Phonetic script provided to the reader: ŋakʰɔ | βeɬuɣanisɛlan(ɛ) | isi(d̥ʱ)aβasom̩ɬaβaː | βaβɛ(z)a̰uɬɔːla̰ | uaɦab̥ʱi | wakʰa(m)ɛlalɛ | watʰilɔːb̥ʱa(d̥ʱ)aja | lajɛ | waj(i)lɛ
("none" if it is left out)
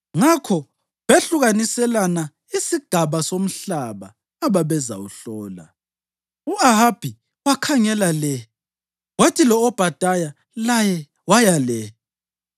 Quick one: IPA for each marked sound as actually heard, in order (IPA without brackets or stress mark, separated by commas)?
a, ɡ̥ʱ, z, ŋ, d̥ʱ, a